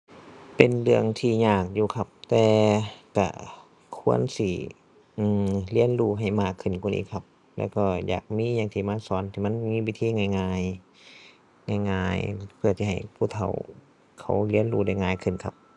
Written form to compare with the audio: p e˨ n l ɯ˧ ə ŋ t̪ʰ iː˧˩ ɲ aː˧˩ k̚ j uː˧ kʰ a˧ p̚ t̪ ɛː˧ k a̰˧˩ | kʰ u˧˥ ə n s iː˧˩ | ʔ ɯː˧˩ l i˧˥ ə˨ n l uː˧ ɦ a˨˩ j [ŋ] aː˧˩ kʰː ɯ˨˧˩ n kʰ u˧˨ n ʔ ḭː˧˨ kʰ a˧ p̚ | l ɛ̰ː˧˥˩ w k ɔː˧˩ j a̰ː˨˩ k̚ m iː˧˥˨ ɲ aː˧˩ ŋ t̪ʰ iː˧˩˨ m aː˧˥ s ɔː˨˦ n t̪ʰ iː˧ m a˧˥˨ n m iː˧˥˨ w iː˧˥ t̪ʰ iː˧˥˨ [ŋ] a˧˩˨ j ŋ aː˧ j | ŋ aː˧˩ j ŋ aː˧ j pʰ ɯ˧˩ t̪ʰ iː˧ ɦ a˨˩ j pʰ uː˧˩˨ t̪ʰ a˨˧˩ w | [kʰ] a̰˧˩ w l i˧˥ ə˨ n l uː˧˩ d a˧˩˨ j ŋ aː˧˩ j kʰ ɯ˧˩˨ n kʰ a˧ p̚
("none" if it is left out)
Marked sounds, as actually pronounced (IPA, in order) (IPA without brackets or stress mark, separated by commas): m, ŋ, kʰ